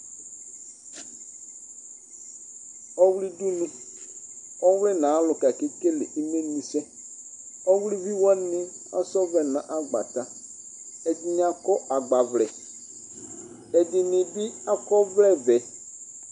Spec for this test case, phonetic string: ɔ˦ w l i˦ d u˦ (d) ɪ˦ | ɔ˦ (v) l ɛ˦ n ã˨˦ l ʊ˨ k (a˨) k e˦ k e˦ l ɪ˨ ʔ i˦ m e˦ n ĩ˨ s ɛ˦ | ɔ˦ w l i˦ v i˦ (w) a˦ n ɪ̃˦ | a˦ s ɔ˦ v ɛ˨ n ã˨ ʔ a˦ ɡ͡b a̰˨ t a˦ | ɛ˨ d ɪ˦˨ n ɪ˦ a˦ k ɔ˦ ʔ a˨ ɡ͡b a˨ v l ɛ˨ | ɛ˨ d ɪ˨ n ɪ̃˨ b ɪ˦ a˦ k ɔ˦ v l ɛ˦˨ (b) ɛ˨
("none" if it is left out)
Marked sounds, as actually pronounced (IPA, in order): n, w, a˨, w, v

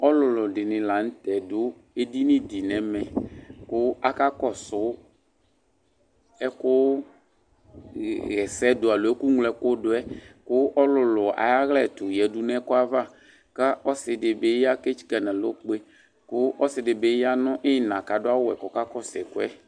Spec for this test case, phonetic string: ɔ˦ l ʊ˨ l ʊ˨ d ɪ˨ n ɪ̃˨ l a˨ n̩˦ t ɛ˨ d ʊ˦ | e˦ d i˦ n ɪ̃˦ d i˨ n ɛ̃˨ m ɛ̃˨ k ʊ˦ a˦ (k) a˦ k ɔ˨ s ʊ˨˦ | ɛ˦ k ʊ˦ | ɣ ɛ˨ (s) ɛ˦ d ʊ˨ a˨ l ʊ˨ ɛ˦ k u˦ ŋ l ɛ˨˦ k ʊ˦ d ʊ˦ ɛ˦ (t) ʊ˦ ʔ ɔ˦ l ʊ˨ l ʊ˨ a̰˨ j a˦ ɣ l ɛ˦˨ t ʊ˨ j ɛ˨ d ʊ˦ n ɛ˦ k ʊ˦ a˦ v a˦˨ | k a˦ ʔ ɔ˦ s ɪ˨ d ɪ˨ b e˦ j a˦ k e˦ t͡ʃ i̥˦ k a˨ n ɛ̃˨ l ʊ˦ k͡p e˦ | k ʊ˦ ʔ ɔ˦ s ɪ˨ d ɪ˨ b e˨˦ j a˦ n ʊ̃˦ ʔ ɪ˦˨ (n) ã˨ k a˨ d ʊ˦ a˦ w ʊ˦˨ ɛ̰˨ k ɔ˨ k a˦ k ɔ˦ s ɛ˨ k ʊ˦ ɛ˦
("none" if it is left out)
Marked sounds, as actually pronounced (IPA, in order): k, s, k, n

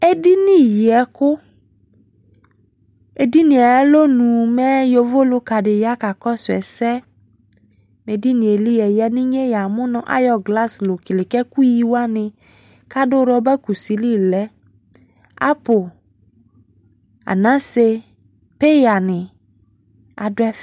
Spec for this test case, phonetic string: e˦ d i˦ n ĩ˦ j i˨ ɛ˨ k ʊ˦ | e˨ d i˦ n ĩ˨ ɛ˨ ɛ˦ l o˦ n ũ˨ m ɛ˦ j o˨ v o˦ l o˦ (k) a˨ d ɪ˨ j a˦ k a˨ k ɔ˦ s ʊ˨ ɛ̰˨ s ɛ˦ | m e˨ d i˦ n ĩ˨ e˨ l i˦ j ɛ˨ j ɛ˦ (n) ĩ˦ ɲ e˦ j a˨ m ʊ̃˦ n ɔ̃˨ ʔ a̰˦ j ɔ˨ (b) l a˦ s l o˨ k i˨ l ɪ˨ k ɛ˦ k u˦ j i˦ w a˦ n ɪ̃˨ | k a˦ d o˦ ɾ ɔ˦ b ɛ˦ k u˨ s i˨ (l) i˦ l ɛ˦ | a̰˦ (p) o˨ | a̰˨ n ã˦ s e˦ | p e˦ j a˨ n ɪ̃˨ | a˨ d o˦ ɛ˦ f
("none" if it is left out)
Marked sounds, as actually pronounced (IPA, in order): k, n, ɡ, l, p

